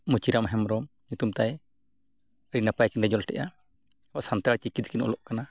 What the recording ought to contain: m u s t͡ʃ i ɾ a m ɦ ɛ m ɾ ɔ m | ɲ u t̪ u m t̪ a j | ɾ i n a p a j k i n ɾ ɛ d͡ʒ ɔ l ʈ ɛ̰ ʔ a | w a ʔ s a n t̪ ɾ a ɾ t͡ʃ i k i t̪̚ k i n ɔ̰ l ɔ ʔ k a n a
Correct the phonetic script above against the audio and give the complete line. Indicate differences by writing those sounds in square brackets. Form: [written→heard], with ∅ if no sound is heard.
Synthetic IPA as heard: m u [s→∅] t͡ʃ i ɾ a m ɦ ɛ m ɾ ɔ m | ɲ u t̪ u m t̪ a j | ɾ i n a p a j k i n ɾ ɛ d͡ʒ ɔ l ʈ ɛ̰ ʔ a | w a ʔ s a n t̪ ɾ a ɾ t͡ʃ i k i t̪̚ k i n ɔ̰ l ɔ ʔ k a n a